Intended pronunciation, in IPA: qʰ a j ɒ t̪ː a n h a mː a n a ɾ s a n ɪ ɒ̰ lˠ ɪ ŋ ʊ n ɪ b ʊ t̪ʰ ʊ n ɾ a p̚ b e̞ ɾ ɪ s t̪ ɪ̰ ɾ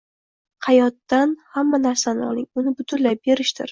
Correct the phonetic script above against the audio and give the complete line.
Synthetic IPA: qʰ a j ɒ t̪ː a n h a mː a n a ɾ s a n ɪ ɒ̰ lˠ ɪ ŋ ʊ n ɪ b ʊ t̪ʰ ʊ n l a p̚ b e̞ ɾ ɪ ʃ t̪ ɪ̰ ɾ